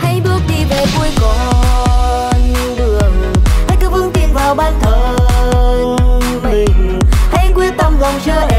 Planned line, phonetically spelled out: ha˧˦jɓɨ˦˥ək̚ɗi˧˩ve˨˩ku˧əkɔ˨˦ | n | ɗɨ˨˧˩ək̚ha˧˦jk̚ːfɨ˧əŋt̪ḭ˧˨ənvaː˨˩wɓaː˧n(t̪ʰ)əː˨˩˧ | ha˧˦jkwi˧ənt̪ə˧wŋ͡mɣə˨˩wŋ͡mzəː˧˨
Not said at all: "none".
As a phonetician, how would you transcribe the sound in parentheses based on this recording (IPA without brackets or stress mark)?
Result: t̪ʰ